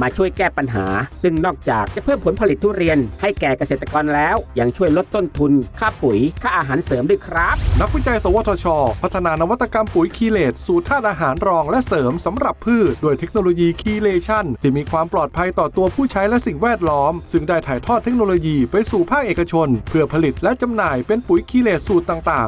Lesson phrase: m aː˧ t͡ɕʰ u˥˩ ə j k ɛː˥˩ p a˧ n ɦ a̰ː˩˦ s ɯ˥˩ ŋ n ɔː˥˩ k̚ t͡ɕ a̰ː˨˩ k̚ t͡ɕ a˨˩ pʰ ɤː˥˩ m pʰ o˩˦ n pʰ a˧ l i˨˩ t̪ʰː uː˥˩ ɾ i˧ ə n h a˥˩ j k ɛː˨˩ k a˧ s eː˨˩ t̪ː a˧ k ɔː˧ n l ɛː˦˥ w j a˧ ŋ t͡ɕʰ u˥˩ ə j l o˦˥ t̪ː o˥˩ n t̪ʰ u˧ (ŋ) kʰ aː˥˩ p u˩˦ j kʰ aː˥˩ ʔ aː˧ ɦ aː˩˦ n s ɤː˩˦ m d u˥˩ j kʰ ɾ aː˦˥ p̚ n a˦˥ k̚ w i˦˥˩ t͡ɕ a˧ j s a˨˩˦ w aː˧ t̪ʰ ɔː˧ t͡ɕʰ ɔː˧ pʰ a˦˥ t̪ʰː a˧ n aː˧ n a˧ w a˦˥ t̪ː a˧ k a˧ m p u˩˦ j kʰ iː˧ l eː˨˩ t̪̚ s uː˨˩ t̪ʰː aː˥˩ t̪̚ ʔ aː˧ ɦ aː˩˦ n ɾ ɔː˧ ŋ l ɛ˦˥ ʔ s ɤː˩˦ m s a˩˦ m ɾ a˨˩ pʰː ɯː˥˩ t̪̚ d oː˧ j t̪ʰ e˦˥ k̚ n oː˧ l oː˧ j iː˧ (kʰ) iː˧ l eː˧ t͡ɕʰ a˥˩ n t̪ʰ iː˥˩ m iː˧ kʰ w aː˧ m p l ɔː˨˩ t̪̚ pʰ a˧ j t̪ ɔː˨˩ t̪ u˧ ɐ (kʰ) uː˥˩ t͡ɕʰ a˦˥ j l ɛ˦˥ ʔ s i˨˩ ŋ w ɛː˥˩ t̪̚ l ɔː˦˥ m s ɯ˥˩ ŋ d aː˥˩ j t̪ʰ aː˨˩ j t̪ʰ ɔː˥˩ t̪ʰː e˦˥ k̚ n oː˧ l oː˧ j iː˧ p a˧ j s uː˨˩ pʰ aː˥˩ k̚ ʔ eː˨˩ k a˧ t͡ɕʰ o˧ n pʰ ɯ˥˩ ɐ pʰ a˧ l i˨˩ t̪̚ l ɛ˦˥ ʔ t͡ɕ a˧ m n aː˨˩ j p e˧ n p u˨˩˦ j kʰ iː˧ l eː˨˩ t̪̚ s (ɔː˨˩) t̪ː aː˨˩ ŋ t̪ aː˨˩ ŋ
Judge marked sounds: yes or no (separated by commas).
no, yes, no, no